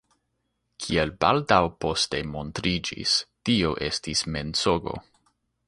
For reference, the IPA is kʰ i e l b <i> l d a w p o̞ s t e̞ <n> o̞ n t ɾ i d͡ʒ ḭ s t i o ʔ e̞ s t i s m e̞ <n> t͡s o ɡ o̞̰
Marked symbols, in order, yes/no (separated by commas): no, no, yes